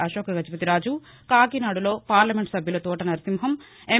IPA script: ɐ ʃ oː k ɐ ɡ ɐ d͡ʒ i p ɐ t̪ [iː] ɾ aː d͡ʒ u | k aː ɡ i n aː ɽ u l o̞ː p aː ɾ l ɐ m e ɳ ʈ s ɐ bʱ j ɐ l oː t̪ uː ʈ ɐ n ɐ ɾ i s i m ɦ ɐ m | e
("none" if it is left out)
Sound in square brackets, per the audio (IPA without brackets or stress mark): i